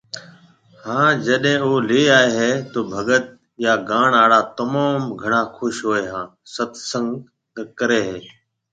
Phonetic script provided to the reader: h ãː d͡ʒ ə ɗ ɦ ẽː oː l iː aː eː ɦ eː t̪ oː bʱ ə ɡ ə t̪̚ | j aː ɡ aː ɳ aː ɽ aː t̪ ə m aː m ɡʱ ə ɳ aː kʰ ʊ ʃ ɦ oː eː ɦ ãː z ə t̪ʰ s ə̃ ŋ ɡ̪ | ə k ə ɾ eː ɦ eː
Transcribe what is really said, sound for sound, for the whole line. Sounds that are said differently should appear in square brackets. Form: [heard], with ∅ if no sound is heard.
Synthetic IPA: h ãː d͡ʒ ə ɗ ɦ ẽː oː l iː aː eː ɦ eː t̪ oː bʱ ə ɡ ə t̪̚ | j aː ɡ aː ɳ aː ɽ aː t̪ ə m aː m ɡʱ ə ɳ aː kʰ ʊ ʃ ɦ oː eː ɦ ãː [s] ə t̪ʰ s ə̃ ŋ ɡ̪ | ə k ə ɾ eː ɦ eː